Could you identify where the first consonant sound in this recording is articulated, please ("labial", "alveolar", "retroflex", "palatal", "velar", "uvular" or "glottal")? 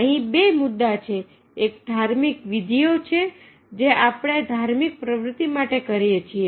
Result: glottal